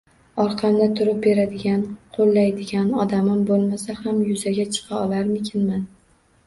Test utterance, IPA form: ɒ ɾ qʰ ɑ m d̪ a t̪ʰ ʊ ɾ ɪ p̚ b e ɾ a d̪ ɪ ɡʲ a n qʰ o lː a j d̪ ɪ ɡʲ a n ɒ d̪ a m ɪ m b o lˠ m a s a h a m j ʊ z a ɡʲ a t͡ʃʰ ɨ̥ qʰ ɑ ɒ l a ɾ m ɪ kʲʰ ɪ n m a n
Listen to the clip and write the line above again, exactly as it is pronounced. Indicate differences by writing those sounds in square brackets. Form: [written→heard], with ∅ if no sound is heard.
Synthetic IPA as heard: ɒ ɾ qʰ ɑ m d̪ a t̪ʰ ʊ ɾ ɪ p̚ b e ɾ a d̪ ɪ ɡʲ a n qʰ o lː a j d̪ ɪ ɡʲ a n ɒ d̪ a m ɪ m b o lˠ m a s a h a m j ʊ z a ɡʲ a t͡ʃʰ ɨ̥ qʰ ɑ ɒ l a ɾ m ɪ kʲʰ ɪ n m a n